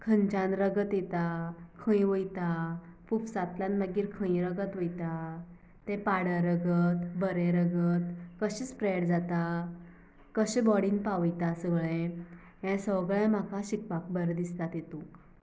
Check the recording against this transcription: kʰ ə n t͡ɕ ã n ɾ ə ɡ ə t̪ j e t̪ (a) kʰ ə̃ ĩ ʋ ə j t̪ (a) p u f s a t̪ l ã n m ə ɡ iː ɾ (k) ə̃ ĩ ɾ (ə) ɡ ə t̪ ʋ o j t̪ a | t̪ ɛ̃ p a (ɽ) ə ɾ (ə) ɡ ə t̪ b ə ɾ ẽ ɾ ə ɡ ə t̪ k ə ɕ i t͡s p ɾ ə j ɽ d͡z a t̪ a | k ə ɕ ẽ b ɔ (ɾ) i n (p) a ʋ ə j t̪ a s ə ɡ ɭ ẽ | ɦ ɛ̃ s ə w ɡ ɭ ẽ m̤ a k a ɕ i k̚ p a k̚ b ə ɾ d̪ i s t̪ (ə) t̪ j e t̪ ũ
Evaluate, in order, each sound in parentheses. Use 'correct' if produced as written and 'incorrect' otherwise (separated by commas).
correct, correct, incorrect, correct, correct, correct, incorrect, correct, incorrect